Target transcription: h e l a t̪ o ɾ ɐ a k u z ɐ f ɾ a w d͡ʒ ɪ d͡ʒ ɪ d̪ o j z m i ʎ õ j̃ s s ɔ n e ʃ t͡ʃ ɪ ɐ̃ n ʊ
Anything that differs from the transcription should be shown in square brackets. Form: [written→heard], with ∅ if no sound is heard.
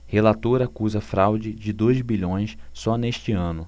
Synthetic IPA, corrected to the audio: h e l a t̪ o ɾ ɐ a k u z ɐ f ɾ a w d͡ʒ ɪ d͡ʒ ɪ d̪ o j z [m→b] i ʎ õ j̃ s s ɔ n e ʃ t͡ʃ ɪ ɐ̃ n ʊ